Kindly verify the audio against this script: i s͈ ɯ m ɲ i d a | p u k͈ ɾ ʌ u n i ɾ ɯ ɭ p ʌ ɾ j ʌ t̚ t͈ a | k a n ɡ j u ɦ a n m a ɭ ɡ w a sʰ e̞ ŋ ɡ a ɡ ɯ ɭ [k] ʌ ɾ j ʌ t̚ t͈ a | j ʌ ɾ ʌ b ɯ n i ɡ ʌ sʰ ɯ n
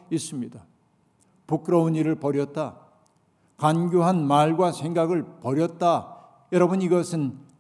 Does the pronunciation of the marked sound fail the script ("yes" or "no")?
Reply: yes